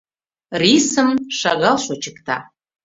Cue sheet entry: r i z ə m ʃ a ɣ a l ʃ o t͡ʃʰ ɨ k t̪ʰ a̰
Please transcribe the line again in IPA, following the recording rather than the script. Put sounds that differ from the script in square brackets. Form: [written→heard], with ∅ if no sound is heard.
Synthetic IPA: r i [z→s] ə m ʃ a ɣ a l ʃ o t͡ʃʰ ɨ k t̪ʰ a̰